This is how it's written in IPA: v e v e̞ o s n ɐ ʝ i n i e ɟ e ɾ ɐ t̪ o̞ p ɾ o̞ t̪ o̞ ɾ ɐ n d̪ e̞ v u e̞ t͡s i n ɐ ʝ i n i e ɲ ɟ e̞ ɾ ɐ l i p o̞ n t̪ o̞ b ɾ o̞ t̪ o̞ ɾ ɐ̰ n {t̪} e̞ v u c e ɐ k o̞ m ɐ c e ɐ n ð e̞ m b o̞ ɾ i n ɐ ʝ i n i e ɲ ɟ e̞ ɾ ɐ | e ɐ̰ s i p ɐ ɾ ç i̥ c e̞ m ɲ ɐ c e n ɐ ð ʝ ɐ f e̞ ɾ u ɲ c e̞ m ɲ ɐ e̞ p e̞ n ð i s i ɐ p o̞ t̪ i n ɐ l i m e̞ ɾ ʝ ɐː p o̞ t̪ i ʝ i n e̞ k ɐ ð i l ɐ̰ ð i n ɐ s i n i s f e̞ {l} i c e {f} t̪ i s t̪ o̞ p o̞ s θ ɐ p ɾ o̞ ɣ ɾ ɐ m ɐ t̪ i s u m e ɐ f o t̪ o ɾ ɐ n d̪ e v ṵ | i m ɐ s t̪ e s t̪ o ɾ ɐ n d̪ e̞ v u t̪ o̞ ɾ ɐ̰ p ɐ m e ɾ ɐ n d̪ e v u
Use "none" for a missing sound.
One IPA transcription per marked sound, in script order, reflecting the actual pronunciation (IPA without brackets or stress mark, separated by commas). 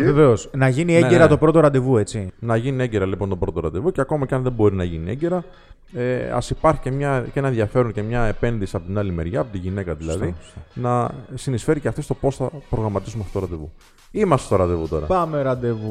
d̪, ɾ, f